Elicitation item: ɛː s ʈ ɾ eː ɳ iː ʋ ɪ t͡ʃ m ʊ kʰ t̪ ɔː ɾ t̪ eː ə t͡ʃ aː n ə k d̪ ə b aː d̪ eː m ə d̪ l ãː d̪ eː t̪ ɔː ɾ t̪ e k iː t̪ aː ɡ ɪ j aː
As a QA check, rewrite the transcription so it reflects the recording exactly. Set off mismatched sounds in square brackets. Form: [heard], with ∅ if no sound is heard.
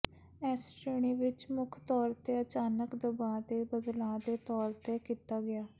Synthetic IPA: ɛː s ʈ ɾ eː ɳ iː ʋ ɪ t͡ʃ m ʊ kʰ t̪ ɔː ɾ t̪ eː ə t͡ʃ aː n ə k d̪ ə b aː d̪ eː [b] ə d̪ l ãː d̪ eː t̪ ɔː ɾ t̪ e k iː t̪ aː ɡ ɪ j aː